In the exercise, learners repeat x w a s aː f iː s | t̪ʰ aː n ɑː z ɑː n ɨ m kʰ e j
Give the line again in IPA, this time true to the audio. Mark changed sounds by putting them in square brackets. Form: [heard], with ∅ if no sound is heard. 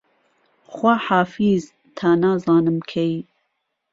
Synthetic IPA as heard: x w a [ħ] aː f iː [z] | t̪ʰ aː n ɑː z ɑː n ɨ m kʰ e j